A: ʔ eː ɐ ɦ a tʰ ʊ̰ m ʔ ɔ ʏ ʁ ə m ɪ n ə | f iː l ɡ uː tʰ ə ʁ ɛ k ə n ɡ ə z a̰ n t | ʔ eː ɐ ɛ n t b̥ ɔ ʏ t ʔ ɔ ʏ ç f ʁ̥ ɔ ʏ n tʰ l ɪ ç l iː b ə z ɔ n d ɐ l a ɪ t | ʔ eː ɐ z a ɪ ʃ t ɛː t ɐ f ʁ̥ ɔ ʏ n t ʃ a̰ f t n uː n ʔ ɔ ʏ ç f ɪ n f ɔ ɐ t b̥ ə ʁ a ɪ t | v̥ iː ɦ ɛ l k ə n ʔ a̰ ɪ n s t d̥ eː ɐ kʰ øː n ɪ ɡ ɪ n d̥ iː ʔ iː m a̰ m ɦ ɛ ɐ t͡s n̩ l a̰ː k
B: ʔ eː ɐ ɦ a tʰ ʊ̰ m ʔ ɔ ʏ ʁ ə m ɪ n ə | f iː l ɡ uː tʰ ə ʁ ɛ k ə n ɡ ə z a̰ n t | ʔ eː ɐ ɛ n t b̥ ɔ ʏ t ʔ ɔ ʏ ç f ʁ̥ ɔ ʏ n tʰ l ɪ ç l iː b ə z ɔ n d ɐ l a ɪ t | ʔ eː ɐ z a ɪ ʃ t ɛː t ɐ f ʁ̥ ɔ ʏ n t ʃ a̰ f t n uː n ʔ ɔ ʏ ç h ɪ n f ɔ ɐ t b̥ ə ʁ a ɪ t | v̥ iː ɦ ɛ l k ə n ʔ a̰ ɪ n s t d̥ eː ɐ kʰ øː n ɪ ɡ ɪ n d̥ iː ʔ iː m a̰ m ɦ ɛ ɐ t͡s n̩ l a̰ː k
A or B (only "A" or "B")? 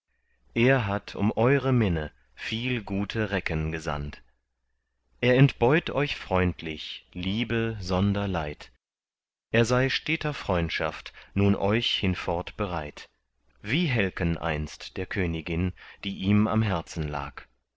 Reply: B